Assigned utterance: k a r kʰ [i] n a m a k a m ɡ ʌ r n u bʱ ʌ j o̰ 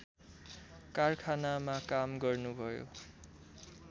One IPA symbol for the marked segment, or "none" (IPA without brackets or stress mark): a